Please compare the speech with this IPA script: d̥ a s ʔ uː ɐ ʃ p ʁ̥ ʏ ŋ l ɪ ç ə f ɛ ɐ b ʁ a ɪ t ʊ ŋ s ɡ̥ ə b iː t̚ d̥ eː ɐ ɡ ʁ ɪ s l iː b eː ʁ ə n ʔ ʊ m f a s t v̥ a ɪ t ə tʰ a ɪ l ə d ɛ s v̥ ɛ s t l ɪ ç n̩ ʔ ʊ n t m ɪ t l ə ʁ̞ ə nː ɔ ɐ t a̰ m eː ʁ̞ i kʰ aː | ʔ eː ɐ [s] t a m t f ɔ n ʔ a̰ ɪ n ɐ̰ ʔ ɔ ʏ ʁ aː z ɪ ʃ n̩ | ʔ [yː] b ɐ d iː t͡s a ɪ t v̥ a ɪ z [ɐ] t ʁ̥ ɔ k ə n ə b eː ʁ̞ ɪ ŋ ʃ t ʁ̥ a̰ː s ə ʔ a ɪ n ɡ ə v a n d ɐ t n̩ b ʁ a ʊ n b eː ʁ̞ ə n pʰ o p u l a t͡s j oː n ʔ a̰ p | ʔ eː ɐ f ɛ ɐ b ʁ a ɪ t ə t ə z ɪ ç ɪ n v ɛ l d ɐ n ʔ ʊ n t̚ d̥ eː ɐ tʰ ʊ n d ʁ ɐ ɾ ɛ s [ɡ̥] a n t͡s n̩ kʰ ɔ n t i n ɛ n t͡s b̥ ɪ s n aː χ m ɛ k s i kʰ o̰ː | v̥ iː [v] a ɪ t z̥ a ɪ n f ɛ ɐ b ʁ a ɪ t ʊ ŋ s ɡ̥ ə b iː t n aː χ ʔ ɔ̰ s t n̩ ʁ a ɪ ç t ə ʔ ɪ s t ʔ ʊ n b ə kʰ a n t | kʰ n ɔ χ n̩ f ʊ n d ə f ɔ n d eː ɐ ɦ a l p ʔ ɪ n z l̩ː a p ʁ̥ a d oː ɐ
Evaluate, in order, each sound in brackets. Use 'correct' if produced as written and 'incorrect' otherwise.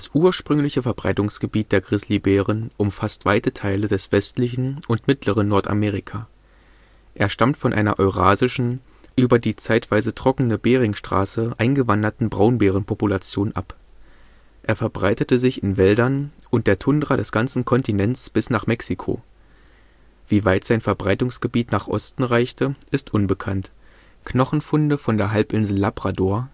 incorrect: ʃ, correct, incorrect: ə, correct, correct

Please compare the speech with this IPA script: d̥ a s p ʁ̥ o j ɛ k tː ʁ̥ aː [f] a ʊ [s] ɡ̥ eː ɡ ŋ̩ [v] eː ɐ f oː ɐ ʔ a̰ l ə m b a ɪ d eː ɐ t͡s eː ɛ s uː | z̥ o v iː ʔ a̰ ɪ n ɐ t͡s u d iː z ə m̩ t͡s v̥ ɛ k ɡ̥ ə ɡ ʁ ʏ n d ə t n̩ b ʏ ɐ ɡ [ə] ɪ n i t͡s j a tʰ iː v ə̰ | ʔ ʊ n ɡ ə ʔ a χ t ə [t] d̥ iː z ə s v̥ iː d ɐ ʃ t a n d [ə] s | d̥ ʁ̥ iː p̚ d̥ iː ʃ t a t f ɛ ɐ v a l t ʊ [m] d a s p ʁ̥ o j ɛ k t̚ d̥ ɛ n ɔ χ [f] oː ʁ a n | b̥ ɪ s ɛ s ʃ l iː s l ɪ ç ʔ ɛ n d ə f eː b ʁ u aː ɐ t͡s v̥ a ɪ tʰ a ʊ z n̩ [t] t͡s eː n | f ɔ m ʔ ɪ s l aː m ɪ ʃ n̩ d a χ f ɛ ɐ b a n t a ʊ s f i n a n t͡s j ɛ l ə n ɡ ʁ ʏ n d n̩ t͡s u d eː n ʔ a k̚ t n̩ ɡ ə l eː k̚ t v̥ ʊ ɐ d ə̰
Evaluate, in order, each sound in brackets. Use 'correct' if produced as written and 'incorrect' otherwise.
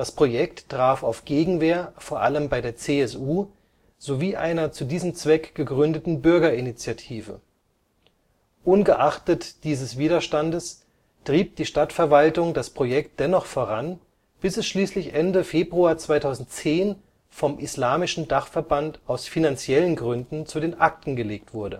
correct, incorrect: f, correct, incorrect: ɐ, correct, correct, incorrect: ŋ, correct, correct

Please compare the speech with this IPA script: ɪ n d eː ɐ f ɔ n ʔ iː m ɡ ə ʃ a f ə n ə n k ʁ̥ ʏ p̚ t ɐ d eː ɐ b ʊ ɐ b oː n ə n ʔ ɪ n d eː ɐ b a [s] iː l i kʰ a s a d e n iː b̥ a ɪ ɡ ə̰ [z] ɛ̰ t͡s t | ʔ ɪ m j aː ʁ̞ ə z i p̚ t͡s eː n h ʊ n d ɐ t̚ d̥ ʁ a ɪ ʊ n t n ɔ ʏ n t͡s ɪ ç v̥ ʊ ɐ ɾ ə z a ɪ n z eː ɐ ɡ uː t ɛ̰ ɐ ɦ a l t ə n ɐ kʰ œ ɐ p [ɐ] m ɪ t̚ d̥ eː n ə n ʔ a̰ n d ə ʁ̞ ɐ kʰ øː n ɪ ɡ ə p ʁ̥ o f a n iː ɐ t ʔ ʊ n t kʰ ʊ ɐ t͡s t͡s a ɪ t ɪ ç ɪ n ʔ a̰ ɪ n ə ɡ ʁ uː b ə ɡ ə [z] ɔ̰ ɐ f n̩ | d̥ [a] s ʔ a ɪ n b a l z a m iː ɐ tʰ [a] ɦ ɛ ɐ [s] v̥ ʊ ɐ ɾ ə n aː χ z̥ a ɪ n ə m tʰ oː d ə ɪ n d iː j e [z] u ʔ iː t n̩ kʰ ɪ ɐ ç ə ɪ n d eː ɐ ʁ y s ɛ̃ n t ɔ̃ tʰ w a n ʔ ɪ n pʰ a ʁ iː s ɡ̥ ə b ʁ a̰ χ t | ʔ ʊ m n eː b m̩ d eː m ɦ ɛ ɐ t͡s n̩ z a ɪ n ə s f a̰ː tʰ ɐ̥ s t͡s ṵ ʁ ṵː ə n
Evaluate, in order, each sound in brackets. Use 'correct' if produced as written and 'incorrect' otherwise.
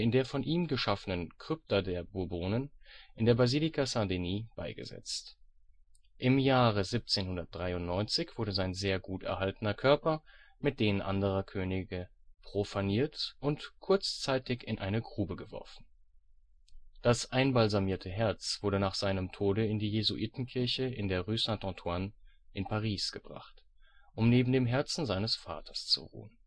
incorrect: z, correct, correct, incorrect: v, correct, incorrect: ə, incorrect: t͡s, correct

